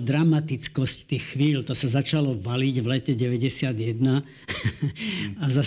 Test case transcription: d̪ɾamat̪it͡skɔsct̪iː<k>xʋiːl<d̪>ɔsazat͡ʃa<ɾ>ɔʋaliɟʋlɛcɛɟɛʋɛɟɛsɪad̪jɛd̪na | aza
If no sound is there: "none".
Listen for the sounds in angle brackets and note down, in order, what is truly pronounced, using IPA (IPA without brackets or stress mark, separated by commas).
x, t̪, l